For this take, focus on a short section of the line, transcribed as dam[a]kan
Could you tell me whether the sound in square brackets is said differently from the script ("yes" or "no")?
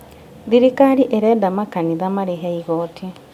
no